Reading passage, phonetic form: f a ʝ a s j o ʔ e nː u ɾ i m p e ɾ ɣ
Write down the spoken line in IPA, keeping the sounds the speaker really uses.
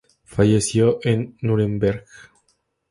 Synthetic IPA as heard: f a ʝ e s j o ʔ e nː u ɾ e m b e ɾ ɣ

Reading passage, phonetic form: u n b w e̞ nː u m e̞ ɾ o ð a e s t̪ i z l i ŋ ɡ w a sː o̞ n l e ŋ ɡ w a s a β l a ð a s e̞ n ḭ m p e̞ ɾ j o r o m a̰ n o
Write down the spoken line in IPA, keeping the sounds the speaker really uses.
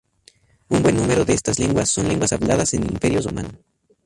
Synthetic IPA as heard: u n b w e̞ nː u m e̞ ɾ o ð e e s t̪ a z l e ŋ ɡ w a sː o̞ n l e ŋ ɡ w a s a β l a ð a s e̞ n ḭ m p e̞ ɾ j o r o m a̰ n o

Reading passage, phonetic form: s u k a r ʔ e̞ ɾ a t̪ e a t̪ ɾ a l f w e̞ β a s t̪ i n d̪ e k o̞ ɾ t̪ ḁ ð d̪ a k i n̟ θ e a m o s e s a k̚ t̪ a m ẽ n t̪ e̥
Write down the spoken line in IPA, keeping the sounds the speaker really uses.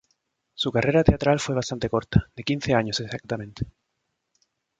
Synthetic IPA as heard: s u k a r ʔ e̞ ɾ a t̪ e a t̪ ɾ a l f w e̞ β a s t̪ a n t̪ e k o̞ ɾ t̪ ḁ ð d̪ e k i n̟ θ e a ɲ o s e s a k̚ t̪ a m ẽ n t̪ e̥

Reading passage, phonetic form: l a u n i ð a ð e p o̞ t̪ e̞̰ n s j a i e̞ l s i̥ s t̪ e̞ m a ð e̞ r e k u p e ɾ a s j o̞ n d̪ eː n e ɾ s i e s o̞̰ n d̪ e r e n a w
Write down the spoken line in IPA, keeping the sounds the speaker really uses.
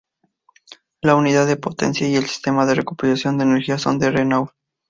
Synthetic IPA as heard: l a u n i ð a ð e p o̞ t̪ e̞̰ n s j a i e̞ l s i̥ s t̪ e̞ m a ð e̞ r e k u p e ɾ a s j o̞ n d̪ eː n e ɾ x i a s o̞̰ n d̪ e r e n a w

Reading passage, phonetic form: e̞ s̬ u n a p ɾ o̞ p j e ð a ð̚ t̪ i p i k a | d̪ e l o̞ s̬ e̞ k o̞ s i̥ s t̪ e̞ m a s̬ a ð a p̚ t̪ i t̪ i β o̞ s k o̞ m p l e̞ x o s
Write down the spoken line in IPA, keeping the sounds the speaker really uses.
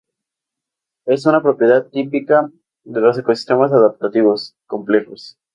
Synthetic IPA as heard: e̞ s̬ u n a p ɾ o̞ p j e ð a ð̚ t̪ i p i k a | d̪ e l o̞ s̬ e̞ k o̞ s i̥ s t̪ e̞ m a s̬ a ð a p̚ t̪ a t̪ i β o̞ s k o̞ m p l e̞ x o s

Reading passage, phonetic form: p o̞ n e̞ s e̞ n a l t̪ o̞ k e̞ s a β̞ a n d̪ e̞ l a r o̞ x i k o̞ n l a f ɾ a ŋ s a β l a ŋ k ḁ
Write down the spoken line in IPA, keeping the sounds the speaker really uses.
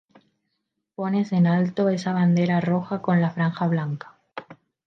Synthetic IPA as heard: p o̞ n e̞ s e̞ n a l t̪ o̞ e̞ s a β̞ a n d̪ e̞ ɾ a r o̞ x a k o̞ n l a f ɾ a ŋ x a β l a ŋ k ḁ

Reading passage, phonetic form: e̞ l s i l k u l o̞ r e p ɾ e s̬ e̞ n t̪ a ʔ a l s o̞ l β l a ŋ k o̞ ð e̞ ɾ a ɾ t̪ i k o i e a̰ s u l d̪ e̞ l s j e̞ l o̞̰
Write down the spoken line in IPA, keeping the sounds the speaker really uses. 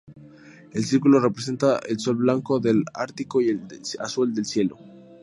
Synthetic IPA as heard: e̞ l s i ɾ k u l o̞ r e p ɾ e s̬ e̞ n t̪ a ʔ e l s o̞ l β l a ŋ k o̞ ð e̞ l a ɾ t̪ i k o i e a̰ s u l d̪ e̞ l s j e̞ l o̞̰

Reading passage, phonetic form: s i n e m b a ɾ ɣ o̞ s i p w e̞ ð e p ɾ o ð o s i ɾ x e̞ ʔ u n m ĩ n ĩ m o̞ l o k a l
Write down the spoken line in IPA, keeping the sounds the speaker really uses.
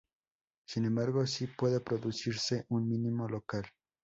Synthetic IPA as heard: s i n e m b a ɾ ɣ o̞ s i p w e̞ ð e p ɾ o ð u s i ɾ s e̞ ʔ u n m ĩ n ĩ m o̞ l o k a l

